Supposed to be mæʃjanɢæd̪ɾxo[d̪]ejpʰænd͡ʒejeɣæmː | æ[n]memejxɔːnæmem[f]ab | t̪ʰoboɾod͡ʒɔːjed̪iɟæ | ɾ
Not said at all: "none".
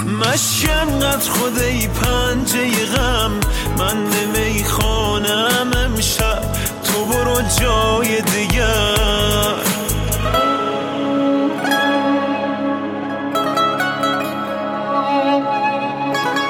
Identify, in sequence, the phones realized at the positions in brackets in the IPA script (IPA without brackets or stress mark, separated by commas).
d̪, n, ʃ